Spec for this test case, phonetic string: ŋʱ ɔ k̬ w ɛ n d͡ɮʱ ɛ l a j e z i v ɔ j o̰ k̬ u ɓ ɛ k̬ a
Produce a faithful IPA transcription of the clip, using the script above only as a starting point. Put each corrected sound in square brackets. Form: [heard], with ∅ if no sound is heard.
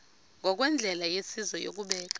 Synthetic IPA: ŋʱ ɔ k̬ w ɛ n d͡ɮʱ ɛ l a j e [s] i [z] ɔ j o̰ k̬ u ɓ [ɛː] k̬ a